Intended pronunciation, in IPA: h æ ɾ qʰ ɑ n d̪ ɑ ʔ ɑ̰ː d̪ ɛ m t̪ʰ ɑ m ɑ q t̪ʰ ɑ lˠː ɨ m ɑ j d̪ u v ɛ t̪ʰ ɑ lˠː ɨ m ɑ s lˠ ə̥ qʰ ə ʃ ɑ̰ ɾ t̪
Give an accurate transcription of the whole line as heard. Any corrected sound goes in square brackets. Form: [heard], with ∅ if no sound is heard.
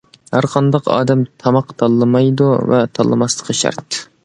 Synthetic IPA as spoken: h æ ɾ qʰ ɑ n d̪ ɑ [q] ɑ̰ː d̪ ɛ m t̪ʰ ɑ m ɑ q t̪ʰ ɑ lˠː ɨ m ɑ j d̪ u v ɛ t̪ʰ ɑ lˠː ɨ m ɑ s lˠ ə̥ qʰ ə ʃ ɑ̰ ɾ t̪